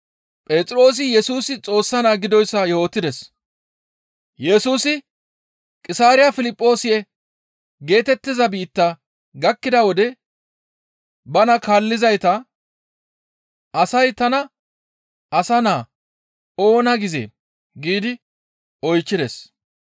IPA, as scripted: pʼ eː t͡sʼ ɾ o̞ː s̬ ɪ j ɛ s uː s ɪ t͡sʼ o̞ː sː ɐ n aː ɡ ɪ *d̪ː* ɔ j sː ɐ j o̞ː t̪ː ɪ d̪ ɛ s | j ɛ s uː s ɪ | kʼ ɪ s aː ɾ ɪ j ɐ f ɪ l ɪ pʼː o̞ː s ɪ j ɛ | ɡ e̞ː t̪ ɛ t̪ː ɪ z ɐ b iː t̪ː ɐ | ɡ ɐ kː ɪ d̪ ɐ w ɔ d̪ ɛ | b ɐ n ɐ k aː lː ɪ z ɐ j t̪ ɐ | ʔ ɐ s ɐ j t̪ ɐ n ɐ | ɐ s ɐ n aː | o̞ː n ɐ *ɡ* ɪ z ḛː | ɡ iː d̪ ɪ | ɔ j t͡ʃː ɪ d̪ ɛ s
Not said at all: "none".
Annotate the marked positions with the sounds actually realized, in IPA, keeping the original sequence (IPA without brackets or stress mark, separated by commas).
d̪, ɡ